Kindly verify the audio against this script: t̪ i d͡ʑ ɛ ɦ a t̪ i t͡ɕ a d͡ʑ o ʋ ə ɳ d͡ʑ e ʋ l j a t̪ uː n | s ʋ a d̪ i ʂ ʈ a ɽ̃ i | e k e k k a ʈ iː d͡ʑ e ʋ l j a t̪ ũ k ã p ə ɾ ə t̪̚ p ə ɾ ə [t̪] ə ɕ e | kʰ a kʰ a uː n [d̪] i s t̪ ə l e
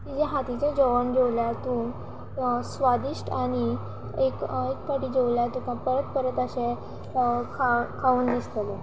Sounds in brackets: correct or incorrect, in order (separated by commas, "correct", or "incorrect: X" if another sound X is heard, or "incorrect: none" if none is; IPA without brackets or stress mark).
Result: correct, correct